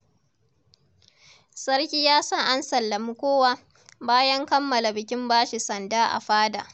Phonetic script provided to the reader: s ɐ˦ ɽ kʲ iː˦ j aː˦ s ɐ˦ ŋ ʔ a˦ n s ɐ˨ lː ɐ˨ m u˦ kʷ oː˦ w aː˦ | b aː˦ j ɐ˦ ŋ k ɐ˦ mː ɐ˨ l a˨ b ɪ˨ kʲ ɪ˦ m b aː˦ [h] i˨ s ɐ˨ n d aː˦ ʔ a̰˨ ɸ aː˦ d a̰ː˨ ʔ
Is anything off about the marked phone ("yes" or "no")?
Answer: yes